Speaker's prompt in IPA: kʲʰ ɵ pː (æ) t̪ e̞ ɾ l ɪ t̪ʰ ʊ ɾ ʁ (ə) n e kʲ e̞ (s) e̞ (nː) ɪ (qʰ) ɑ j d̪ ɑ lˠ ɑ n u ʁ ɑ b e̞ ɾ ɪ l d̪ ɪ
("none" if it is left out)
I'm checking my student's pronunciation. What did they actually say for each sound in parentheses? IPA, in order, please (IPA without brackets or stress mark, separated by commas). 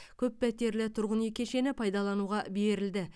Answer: æ, ə, ʃ, n, pʰ